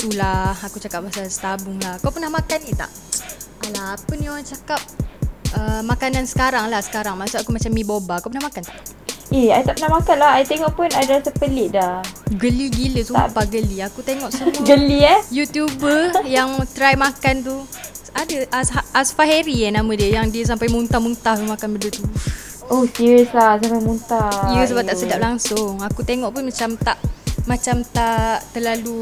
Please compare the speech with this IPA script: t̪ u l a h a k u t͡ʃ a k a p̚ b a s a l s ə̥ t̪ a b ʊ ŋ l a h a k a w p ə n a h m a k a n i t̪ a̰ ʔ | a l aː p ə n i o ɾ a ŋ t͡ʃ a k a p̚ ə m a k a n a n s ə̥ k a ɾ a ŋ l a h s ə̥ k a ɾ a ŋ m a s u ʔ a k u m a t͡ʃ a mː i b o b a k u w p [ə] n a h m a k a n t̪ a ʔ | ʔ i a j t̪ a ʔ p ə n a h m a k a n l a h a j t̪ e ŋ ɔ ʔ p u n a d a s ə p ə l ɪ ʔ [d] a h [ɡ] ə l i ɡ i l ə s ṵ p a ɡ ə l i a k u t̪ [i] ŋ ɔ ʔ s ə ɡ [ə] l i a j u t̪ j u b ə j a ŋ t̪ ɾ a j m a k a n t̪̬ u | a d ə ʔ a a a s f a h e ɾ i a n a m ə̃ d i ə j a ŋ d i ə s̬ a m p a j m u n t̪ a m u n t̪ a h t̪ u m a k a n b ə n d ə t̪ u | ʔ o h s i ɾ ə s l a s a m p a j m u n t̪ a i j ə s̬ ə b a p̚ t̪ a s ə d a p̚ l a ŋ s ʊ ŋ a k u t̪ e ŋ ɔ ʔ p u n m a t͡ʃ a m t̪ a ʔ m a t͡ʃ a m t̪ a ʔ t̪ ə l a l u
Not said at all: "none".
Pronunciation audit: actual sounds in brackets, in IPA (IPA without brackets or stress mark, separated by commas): ə, d, ɡ, e, ə